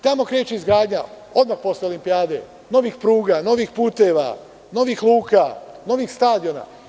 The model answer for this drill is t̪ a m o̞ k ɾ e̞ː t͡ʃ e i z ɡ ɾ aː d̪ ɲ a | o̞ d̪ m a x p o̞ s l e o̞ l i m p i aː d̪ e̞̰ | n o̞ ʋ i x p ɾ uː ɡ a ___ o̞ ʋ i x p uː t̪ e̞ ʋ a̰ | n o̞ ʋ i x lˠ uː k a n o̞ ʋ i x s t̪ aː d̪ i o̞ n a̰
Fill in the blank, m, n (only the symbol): n